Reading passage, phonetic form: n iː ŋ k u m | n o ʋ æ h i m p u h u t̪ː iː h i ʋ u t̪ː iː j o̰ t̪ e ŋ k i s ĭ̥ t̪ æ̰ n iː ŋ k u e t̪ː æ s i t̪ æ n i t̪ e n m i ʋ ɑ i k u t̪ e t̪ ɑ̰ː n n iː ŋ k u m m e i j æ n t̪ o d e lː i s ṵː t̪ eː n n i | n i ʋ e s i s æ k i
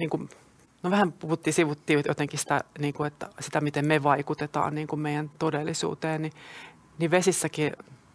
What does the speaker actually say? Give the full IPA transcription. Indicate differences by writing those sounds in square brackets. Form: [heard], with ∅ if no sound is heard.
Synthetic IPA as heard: n iː ŋ k u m | n o ʋ æ h [æ] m p u h u t̪ː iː [s] i ʋ u t̪ː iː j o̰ t̪ e ŋ k i s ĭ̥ t̪ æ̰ n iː ŋ k u e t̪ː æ s i t̪ æ [m] i t̪ e [m] m [e] ʋ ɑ i k u t̪ e t̪ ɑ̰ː n n iː ŋ k u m m e i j æ n t̪ o d e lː i s ṵː t̪ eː n n i | n i ʋ e s i [sː] æ k i